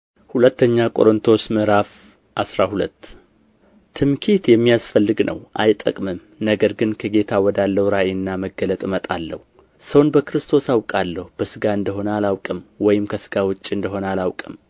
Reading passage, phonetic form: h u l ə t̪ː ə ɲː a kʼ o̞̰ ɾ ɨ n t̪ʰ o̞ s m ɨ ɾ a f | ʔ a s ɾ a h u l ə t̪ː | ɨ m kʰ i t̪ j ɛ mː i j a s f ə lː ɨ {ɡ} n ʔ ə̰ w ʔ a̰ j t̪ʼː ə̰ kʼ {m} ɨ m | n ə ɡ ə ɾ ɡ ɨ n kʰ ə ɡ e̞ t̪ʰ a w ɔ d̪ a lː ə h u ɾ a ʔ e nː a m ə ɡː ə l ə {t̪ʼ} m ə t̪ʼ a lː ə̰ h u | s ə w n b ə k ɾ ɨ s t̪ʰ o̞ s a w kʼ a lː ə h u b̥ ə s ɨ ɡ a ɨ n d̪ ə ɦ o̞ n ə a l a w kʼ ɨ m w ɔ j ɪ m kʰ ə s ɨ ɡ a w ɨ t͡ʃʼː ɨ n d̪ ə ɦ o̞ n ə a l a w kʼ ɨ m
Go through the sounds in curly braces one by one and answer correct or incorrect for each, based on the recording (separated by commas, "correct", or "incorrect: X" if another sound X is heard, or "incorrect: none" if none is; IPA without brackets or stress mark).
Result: correct, correct, correct